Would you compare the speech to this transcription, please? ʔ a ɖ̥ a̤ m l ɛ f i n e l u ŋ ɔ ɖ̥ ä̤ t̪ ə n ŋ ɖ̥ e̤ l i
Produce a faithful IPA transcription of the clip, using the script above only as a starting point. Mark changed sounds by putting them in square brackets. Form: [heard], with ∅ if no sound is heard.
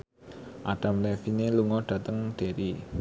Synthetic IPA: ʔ a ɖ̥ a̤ m l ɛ f i n e l u ŋ ɔ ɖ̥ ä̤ t̪ ə [∅] ŋ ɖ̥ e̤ [ɾ] i